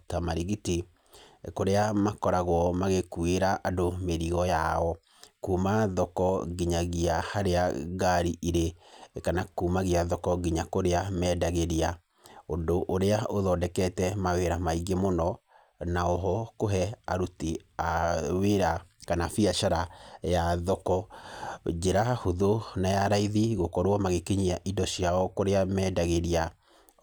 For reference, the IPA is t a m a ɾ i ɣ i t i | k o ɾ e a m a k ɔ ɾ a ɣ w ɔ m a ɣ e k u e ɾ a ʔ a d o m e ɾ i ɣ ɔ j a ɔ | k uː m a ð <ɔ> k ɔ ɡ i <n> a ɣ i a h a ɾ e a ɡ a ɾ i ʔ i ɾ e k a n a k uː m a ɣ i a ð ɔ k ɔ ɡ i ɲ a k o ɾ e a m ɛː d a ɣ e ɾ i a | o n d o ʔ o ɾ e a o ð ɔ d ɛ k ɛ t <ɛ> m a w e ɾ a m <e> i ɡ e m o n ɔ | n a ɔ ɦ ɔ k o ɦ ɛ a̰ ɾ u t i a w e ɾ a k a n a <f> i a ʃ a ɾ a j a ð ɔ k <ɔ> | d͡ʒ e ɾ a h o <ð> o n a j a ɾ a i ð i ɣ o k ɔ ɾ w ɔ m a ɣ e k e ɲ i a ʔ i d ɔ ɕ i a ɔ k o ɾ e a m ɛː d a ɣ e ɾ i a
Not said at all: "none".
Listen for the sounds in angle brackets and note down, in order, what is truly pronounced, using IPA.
ɔ, ɲ, ɛ, a, f, ɔ, ð

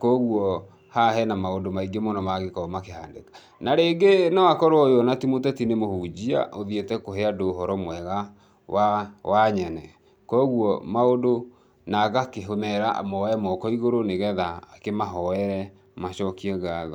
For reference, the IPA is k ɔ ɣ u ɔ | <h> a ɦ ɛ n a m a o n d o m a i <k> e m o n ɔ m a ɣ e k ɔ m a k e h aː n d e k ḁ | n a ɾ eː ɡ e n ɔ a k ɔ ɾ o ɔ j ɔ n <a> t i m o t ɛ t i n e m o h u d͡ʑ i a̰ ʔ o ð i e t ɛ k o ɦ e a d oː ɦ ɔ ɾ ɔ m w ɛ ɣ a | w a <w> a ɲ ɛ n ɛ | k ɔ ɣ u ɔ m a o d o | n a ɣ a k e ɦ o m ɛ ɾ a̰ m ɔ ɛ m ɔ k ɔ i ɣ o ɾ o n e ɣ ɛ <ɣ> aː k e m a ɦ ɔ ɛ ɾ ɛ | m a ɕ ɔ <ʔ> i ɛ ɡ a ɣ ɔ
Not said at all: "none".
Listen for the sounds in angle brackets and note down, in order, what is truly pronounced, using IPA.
h, ɡ, a, w, ð, k

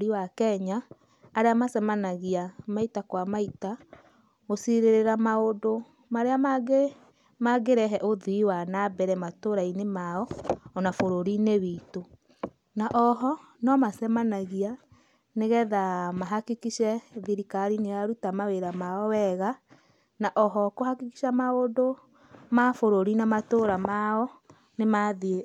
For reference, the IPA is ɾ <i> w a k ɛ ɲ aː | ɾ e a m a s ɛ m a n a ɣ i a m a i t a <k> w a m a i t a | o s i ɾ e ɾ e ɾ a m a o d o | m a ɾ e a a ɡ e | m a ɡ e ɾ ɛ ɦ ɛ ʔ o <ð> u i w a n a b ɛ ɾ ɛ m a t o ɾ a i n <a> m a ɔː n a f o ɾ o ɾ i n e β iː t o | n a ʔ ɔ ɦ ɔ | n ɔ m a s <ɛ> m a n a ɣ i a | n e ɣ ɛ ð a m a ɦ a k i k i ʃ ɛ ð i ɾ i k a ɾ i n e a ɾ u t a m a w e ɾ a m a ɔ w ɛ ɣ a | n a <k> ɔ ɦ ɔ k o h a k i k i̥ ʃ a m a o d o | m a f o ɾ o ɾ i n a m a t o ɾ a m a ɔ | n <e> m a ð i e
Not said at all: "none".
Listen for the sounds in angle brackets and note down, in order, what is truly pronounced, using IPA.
i, k, ð, e, ɛ, ʔ, e

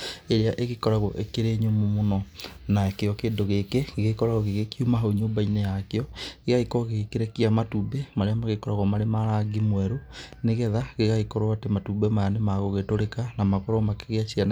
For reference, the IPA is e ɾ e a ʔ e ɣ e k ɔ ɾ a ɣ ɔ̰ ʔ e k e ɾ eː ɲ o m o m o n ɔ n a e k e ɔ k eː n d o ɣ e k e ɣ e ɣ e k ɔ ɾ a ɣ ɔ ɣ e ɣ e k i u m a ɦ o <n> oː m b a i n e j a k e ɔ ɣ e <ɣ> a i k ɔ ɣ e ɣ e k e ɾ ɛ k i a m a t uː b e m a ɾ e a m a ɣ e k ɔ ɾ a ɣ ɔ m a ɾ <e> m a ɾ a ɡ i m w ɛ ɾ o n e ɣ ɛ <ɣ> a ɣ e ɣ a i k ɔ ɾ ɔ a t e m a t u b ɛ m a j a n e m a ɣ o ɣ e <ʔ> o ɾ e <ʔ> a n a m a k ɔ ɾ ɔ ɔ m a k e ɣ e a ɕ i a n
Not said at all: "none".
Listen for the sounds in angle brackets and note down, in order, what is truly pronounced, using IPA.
ɲ, ɣ, e, ð, t, k

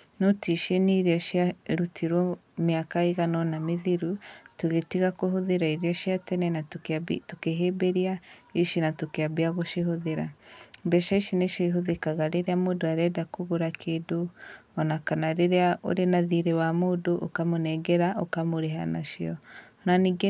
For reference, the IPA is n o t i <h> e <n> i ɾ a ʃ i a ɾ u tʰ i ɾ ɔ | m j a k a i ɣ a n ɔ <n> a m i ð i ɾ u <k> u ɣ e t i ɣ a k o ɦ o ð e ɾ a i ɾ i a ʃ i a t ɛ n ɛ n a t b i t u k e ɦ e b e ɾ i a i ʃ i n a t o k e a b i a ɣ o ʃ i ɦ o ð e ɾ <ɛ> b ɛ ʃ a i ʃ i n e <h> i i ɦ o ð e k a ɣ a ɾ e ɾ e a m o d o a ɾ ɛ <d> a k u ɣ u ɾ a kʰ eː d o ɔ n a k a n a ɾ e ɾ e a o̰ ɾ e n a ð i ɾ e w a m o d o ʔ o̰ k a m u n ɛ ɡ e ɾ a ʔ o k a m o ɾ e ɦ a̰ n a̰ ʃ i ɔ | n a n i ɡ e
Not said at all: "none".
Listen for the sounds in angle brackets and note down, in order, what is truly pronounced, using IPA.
ʃ, n, n, t, a, ʃ, d

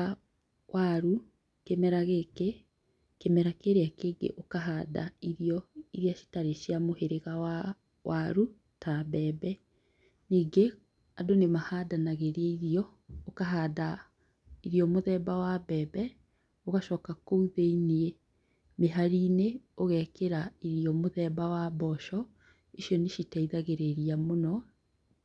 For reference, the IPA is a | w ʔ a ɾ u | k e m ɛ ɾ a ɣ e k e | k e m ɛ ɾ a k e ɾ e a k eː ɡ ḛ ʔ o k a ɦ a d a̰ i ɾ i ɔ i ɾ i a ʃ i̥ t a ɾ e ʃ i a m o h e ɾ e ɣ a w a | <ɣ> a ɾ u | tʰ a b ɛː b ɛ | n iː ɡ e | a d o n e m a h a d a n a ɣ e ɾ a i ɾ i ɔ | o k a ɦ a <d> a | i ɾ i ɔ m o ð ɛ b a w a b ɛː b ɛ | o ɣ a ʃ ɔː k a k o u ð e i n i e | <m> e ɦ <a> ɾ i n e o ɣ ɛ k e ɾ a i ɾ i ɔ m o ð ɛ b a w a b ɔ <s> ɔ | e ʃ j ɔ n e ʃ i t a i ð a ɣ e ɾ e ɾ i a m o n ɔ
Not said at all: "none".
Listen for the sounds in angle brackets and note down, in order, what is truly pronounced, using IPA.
w, d, m, a, ʃ

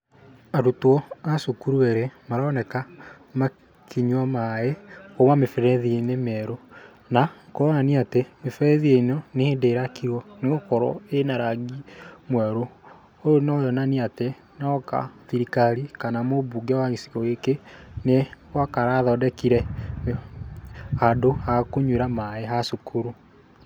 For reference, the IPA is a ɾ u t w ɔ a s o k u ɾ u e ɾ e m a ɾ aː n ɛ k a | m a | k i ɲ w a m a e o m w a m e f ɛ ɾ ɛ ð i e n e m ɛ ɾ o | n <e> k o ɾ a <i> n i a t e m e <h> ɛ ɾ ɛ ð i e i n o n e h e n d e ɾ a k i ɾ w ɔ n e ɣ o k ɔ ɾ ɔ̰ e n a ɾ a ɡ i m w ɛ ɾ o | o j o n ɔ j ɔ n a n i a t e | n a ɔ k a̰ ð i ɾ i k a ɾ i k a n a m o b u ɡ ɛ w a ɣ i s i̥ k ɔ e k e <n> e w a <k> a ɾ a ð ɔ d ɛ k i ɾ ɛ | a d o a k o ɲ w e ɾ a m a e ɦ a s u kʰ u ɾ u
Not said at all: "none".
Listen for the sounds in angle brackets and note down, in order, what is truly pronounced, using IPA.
a, a, f, n, k

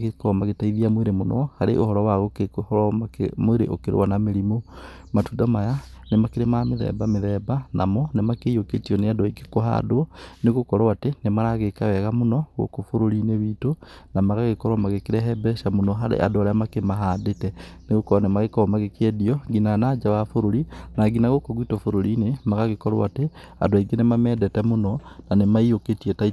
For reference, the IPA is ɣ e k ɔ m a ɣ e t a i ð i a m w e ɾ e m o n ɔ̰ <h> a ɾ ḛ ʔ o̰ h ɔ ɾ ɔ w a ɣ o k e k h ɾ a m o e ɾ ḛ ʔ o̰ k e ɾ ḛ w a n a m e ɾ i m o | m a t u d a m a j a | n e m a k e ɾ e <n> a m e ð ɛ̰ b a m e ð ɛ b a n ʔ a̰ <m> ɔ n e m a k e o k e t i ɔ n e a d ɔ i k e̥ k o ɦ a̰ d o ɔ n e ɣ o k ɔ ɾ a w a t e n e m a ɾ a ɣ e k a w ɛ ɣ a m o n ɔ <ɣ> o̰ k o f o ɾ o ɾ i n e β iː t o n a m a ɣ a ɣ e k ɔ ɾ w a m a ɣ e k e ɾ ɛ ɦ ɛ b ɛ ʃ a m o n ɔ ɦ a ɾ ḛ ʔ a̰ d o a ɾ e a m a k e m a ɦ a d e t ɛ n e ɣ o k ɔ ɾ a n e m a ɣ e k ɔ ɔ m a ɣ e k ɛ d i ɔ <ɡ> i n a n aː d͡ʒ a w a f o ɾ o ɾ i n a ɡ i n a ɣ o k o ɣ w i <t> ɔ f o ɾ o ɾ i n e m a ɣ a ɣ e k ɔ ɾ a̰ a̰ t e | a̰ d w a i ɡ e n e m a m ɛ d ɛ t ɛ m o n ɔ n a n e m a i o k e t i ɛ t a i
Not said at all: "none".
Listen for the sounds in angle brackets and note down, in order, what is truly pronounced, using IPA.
h, m, m, ɣ, ɡ, t

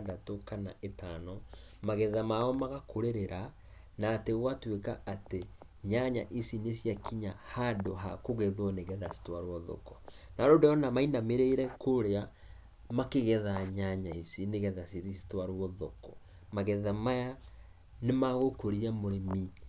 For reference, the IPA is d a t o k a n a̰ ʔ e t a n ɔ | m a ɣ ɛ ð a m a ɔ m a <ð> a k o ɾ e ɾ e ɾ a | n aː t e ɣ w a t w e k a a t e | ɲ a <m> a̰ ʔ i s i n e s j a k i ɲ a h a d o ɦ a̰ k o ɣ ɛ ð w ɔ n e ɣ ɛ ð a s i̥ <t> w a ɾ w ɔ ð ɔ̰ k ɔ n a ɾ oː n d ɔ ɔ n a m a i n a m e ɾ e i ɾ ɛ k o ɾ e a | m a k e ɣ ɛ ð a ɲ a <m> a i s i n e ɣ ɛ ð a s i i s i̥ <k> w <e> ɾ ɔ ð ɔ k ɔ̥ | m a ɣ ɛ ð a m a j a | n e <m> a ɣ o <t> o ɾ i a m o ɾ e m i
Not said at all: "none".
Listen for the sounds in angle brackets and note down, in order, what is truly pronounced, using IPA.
ɣ, ɲ, t, ɲ, t, a, m, k

